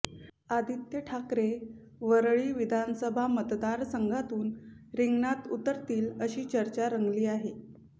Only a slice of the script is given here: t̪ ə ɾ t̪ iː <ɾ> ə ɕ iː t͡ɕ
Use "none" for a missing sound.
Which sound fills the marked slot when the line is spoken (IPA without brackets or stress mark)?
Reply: l